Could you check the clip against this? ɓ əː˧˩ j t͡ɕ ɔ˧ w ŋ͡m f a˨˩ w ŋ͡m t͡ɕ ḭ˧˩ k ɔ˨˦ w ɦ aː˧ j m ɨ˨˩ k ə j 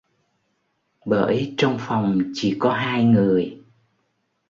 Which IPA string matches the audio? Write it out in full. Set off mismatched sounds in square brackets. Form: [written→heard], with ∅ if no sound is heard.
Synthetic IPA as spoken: ɓ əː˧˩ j t͡ɕ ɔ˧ w ŋ͡m f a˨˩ w ŋ͡m t͡ɕ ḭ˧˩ k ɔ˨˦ [w→∅] ɦ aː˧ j [m→ŋ] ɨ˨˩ [k→∅] ə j